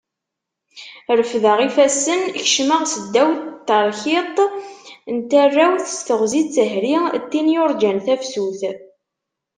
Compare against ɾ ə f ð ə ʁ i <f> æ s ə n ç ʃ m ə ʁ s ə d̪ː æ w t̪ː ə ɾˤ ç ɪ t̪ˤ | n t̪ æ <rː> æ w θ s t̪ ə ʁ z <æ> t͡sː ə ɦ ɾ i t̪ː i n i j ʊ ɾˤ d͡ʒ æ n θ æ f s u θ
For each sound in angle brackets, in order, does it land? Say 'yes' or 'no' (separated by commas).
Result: yes, yes, no